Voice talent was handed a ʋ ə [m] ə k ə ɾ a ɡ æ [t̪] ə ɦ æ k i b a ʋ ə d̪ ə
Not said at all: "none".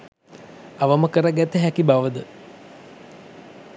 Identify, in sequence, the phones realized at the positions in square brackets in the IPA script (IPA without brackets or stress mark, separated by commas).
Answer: m, t̪